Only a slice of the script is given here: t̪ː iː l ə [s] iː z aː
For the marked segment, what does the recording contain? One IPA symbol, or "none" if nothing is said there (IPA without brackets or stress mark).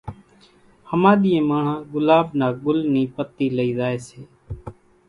none